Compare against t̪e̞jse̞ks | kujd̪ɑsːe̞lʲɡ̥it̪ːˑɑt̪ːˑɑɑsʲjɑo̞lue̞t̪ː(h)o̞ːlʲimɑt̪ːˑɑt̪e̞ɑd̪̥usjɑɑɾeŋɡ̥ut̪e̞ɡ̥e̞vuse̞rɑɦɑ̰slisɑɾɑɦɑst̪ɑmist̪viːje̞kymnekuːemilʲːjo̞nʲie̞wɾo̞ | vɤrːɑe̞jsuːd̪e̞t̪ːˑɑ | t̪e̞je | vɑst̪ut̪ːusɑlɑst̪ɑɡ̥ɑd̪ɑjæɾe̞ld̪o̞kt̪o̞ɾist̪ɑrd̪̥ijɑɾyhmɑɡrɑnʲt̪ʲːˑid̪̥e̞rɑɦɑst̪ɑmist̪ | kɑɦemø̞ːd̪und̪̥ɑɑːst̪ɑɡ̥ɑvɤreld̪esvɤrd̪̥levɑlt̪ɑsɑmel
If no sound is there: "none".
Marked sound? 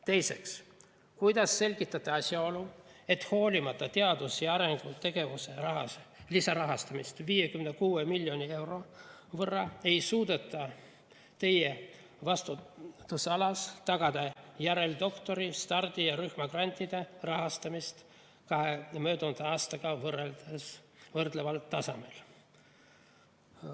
h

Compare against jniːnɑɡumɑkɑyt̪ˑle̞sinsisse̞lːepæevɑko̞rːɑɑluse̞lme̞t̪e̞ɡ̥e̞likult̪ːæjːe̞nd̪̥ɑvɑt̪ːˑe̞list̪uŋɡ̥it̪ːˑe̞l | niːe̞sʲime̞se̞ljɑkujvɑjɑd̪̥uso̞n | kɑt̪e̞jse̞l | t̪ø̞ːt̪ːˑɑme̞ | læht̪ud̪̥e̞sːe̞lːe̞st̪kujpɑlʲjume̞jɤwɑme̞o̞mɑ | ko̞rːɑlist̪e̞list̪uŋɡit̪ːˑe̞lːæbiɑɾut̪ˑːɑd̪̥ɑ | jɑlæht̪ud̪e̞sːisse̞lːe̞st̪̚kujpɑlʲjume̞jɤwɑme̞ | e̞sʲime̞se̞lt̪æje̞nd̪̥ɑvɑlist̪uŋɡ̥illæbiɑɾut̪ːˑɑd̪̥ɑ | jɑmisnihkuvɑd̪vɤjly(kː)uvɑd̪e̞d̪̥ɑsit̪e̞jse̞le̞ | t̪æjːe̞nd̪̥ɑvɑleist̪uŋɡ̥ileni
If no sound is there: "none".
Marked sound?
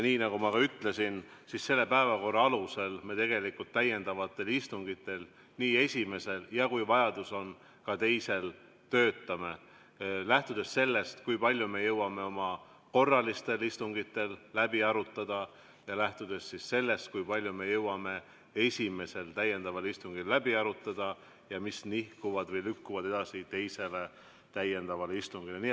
kː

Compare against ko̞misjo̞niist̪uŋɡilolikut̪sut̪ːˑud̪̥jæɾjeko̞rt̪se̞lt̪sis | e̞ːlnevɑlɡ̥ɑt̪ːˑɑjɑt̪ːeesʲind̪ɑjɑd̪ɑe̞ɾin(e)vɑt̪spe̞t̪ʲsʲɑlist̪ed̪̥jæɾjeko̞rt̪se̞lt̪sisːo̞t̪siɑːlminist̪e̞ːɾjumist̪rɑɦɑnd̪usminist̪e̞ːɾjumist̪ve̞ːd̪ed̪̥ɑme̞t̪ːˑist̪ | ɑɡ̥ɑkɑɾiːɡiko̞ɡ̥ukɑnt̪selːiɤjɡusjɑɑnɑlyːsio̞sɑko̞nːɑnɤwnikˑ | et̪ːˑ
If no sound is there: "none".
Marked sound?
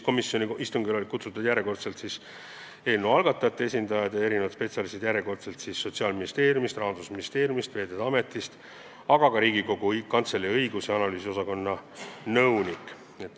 e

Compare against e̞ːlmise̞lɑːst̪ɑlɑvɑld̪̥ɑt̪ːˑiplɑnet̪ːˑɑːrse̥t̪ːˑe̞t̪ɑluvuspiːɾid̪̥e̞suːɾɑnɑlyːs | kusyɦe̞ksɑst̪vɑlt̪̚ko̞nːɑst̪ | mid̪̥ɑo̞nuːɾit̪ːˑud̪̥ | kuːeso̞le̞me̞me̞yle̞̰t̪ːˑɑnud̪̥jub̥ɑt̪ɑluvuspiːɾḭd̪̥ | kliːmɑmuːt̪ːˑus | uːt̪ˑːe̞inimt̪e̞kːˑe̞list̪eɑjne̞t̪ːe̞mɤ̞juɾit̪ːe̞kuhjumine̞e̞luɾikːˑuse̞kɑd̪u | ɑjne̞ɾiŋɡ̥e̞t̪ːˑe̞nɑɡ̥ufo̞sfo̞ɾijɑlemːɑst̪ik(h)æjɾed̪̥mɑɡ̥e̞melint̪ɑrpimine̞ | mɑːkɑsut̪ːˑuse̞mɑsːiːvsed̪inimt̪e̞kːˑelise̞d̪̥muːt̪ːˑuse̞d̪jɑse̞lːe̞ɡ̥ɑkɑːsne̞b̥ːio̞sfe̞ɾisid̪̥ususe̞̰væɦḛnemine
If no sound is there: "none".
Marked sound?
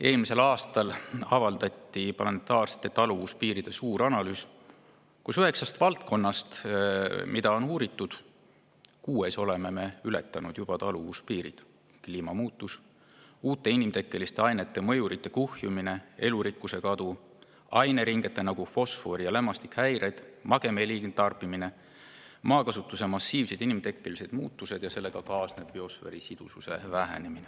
h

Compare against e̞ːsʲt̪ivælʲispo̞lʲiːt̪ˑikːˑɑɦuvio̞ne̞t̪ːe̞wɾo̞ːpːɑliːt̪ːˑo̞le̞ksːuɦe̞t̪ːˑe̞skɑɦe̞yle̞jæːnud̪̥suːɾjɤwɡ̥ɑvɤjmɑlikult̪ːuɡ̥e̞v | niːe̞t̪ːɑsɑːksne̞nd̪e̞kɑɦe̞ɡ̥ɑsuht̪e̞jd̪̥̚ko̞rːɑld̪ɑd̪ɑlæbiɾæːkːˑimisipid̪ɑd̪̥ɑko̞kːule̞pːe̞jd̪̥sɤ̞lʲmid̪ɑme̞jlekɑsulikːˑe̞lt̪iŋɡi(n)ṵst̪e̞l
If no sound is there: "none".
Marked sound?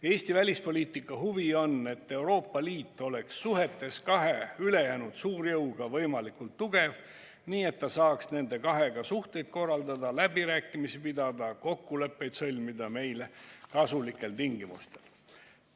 m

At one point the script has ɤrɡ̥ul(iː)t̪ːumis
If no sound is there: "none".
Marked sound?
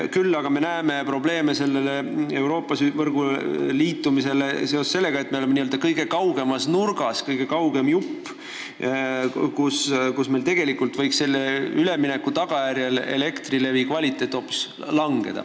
iː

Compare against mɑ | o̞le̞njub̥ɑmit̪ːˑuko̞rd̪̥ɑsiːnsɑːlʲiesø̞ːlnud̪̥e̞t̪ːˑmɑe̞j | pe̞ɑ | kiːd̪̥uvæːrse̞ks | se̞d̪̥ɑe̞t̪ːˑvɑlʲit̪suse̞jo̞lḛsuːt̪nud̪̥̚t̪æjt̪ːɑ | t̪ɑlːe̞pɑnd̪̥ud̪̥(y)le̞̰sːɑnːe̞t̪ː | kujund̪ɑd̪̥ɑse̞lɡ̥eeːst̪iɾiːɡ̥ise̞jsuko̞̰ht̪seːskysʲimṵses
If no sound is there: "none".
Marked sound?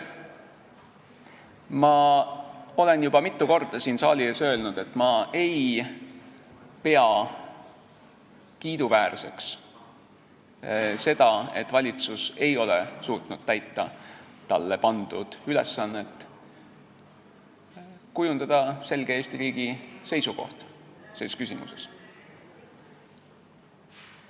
y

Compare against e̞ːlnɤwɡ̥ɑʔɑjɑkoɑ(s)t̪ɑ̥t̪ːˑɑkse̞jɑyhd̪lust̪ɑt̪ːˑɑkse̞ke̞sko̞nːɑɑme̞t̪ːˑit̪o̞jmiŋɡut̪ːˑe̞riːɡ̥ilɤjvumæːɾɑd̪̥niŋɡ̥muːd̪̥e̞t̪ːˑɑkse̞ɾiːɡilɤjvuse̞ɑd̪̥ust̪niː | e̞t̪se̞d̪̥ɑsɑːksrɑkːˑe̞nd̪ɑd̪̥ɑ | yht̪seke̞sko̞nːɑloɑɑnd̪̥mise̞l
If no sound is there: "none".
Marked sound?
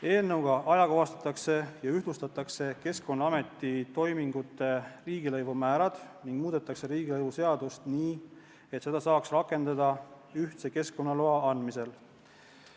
s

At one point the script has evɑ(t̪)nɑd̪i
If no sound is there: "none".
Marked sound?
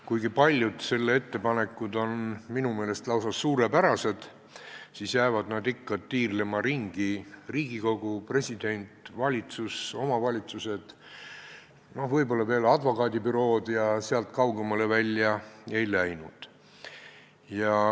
d̪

